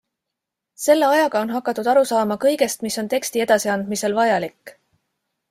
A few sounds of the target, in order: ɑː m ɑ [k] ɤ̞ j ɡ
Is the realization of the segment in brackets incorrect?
no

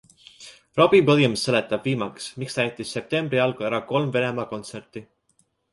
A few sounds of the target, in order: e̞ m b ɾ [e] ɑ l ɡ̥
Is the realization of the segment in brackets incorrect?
yes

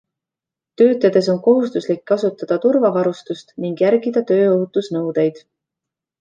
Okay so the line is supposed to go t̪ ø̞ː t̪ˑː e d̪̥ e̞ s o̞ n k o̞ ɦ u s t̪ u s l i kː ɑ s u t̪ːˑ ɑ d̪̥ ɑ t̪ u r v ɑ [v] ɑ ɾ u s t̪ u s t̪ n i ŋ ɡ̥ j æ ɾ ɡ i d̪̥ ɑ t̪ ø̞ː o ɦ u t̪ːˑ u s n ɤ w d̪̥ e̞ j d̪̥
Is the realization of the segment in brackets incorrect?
no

